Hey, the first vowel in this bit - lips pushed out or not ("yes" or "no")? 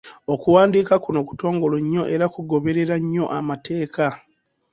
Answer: yes